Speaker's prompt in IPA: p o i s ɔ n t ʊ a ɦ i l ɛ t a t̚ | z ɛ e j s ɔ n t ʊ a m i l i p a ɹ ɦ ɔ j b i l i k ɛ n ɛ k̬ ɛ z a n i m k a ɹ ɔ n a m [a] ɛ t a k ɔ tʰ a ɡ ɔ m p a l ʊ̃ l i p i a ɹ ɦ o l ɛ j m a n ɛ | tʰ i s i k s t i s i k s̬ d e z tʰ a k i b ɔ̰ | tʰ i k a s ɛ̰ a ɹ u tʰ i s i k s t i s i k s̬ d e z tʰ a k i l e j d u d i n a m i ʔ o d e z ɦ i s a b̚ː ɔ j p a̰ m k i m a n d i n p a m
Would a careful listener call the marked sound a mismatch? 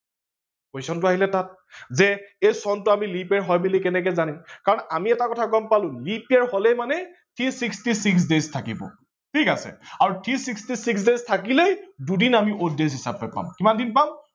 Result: yes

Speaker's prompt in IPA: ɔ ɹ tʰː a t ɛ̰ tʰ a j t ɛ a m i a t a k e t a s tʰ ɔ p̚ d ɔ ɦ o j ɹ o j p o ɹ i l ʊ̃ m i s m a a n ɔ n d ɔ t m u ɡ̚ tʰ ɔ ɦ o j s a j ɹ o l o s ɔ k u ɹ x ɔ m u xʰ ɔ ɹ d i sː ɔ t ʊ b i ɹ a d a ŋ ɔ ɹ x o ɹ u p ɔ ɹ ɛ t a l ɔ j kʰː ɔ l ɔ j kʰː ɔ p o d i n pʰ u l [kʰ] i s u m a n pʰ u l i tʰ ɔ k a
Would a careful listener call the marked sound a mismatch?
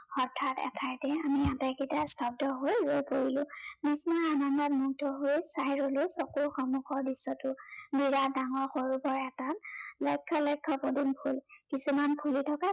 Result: yes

